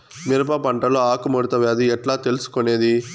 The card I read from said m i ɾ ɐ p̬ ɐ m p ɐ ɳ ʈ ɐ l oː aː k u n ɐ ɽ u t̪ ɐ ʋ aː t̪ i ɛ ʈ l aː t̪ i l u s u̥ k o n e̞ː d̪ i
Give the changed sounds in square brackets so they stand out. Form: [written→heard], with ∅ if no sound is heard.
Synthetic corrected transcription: m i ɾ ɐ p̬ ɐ [m→∅] p ɐ ɳ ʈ ɐ l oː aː k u [n→m] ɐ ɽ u t̪ ɐ ʋ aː [t̪→d̪] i ɛ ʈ l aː t̪ [i→e] l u s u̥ k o n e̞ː d̪ i

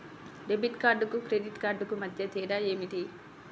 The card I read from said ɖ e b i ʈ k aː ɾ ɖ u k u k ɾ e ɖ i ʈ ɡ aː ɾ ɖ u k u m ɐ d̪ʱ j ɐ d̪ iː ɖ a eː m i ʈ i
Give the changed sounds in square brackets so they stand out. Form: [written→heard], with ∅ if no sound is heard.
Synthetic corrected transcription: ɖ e b i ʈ k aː ɾ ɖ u k u k ɾ e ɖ i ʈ [ɡ→k] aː ɾ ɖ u k u m ɐ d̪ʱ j ɐ [d̪→t̪] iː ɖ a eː m i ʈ i

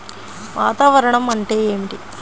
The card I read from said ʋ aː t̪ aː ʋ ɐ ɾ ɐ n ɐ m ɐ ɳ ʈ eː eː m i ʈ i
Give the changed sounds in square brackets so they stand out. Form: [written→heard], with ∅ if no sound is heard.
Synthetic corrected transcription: ʋ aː t̪ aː ʋ ɐ ɾ ɐ [n→ɳ] ɐ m ɐ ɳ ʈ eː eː m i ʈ i

